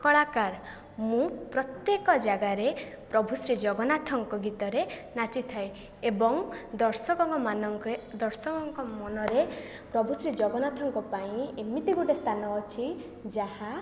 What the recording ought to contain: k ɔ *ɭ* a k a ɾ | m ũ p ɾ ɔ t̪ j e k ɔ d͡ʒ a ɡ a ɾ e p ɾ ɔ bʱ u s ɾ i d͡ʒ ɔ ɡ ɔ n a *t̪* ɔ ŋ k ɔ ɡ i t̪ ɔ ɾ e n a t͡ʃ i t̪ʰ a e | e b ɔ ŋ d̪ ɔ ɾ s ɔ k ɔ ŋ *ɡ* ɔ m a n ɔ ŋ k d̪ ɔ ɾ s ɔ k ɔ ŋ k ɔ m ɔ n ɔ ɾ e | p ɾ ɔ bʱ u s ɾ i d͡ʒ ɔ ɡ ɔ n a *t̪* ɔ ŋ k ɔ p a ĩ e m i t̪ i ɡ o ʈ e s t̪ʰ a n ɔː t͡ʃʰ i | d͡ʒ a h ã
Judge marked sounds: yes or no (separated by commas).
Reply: yes, no, no, no